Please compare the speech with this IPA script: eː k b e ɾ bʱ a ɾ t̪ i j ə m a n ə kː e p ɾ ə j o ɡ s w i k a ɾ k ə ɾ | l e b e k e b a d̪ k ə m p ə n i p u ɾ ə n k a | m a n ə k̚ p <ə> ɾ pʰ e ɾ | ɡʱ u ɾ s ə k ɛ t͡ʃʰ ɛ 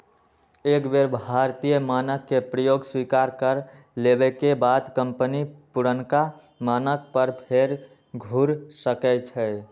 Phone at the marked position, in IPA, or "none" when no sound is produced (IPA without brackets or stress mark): ə